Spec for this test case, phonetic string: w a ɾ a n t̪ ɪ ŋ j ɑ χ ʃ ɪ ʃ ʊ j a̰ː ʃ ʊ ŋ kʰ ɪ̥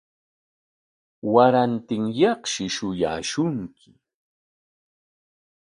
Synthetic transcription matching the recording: w a ɾ a n t̪ ɪ ŋ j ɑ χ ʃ ɪ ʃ ʊ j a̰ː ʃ ʊ ŋ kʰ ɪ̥